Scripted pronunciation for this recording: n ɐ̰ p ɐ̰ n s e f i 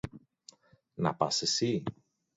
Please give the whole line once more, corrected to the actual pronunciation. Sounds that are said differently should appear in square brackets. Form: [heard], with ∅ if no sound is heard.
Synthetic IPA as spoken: n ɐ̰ p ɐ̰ [∅] s e [s] i